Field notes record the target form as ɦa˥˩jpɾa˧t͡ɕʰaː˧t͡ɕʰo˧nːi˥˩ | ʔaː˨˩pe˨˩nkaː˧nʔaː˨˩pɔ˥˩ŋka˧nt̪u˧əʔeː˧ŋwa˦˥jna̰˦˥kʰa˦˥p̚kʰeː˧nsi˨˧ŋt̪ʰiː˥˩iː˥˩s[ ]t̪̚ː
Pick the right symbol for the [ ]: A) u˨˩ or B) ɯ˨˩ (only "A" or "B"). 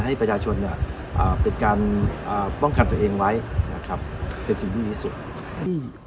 A